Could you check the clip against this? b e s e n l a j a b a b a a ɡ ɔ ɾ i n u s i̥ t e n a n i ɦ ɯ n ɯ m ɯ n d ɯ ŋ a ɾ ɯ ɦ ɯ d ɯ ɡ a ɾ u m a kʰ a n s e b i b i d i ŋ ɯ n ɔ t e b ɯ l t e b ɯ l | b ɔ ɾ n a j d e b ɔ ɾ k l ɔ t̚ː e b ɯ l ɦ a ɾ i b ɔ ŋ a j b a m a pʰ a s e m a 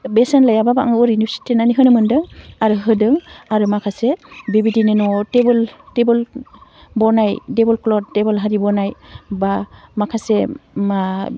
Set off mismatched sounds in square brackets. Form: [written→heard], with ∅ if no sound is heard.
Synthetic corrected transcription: b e s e n l a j a b a b a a [ɡ→ŋ] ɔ ɾ i n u s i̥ t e n a n i ɦ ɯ n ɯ m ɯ n d ɯ ŋ a ɾ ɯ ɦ ɯ d ɯ [ɡ→ŋ] a ɾ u m a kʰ a [n→∅] s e b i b i d i [ŋ→n] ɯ n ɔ t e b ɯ l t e b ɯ l | b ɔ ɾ n a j d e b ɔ [ɾ→l] k l ɔ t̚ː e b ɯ l ɦ a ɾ i b ɔ [ŋ→n] a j b a m a [pʰ→kʰ] a s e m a